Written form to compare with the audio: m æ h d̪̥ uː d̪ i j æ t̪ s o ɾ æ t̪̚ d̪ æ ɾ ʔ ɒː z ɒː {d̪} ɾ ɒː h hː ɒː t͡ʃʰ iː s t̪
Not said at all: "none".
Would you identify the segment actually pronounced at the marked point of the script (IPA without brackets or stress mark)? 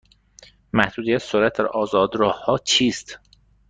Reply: d̪